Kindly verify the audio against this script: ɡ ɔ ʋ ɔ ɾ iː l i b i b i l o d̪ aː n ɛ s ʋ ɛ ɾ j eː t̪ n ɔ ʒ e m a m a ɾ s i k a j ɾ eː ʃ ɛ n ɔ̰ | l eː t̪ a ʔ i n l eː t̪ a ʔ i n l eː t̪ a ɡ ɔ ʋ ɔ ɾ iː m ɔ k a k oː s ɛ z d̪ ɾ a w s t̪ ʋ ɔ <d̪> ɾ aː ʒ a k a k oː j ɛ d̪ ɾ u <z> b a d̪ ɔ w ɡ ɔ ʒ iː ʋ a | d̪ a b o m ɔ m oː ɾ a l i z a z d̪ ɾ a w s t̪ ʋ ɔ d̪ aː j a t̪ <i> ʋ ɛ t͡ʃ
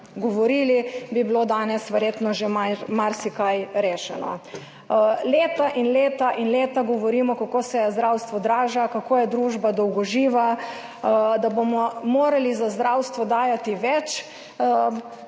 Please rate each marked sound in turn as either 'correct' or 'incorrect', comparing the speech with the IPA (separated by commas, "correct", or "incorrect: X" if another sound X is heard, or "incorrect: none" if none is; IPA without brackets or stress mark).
correct, incorrect: ʒ, correct